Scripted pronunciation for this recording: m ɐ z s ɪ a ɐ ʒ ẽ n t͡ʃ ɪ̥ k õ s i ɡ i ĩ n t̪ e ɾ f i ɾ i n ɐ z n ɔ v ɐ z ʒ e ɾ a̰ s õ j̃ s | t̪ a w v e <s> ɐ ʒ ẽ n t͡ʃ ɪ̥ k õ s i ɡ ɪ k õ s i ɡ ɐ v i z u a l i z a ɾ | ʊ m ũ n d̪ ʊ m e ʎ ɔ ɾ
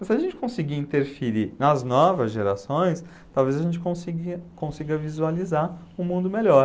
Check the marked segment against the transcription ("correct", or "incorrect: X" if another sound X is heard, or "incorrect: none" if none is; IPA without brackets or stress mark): incorrect: z